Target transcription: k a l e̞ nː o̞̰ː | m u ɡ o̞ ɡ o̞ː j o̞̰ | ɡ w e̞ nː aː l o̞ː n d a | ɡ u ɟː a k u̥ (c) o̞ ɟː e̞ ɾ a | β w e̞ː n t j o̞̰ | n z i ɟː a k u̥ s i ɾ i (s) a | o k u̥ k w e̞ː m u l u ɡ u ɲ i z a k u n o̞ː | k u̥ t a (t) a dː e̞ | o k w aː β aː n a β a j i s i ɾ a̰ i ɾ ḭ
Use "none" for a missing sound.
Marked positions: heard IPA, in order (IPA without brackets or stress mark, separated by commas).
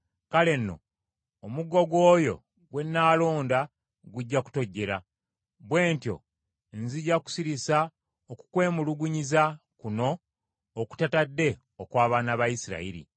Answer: t, s, t